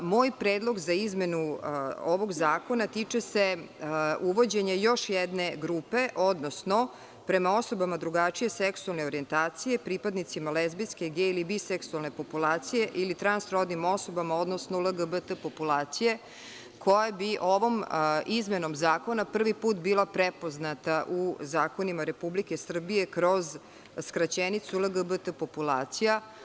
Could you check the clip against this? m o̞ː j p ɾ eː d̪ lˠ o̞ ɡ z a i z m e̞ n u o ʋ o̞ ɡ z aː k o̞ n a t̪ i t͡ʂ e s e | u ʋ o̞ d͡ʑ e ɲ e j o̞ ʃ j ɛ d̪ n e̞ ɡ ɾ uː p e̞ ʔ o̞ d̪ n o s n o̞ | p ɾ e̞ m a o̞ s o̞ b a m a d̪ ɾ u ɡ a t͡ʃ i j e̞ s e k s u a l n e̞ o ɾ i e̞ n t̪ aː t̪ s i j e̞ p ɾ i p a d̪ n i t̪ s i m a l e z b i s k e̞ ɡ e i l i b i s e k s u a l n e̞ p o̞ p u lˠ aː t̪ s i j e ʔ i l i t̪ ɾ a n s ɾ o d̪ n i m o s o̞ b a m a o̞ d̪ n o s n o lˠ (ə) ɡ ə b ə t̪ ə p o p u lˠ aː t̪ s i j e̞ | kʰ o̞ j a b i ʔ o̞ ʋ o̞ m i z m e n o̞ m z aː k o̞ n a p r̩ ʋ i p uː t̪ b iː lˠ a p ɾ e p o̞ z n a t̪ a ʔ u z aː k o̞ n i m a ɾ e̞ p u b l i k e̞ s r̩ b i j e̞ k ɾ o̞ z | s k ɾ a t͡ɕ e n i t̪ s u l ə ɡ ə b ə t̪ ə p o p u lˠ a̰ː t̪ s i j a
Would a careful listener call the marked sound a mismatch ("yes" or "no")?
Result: no